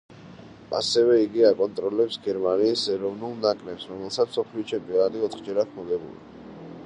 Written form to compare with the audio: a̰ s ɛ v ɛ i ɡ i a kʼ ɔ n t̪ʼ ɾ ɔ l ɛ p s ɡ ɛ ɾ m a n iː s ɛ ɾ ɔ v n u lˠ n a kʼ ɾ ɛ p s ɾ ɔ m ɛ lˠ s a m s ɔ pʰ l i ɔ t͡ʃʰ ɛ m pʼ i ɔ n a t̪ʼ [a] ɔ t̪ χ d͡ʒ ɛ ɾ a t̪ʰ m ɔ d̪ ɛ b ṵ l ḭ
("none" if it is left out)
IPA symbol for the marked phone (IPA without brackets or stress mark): i